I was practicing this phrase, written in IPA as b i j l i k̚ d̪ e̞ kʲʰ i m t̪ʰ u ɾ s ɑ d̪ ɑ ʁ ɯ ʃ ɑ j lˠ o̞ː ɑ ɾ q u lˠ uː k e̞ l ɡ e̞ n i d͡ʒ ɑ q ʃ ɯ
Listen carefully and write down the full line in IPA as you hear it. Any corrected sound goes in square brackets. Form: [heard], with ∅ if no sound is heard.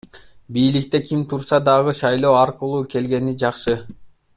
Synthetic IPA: b i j l i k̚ [t̪] e̞ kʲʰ i m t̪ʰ u ɾ s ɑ d̪ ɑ ʁ ɯ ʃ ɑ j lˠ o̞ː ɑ ɾ q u lˠ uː k e̞ l ɡ e̞ n i d͡ʒ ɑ q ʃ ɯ